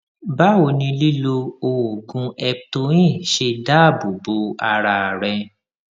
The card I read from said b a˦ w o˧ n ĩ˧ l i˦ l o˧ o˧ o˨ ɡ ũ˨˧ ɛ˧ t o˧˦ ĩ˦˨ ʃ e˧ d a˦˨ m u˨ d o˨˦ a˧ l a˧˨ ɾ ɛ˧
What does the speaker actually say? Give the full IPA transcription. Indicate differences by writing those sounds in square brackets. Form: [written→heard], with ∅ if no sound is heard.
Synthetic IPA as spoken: b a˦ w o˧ n ĩ˧ l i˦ l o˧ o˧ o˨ ɡ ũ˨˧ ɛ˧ t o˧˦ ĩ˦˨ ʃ e˧ d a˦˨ [m→b] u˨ [d→b] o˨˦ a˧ [l→ɾ] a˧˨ ɾ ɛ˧